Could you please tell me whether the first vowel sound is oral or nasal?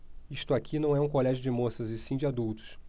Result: oral